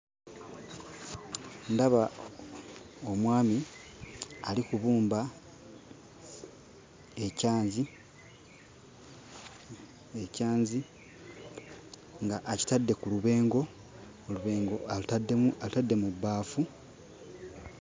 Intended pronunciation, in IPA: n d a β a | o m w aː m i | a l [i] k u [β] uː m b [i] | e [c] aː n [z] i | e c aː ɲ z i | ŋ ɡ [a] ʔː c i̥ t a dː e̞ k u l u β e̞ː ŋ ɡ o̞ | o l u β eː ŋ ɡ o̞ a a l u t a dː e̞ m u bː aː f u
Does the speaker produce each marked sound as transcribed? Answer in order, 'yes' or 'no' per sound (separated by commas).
yes, yes, no, yes, yes, yes